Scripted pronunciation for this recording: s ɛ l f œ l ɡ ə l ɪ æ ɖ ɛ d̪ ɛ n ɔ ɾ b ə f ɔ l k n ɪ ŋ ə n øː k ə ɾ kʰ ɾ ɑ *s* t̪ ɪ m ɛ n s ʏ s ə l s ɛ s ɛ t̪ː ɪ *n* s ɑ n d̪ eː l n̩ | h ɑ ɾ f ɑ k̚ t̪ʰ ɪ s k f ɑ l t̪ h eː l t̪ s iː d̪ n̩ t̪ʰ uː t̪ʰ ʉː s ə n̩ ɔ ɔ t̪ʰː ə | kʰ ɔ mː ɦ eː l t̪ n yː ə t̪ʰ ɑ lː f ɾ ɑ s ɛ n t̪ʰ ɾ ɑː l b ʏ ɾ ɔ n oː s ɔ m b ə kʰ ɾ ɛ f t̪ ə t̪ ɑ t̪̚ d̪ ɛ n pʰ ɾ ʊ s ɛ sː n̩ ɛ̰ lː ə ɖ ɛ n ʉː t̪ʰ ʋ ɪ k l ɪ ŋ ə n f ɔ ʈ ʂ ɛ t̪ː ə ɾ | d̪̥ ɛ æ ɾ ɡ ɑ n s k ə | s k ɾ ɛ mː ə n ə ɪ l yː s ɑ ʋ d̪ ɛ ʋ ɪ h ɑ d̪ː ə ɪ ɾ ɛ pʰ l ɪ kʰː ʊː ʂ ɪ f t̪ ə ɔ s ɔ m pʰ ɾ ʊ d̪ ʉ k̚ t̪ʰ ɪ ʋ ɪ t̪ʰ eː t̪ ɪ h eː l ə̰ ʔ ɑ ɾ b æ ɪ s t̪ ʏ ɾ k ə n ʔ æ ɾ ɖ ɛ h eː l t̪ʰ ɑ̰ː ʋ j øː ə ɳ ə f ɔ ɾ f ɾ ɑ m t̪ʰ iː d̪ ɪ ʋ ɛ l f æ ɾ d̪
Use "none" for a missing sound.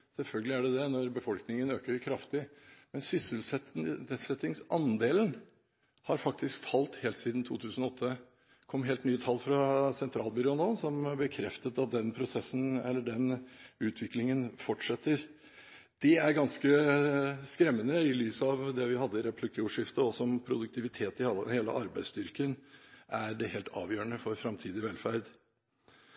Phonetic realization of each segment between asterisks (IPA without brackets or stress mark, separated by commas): f, ŋ